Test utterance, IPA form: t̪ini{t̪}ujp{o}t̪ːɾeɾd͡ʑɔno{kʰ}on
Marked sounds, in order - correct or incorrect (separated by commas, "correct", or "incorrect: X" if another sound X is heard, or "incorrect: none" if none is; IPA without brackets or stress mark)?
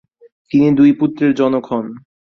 incorrect: d̪, incorrect: u, correct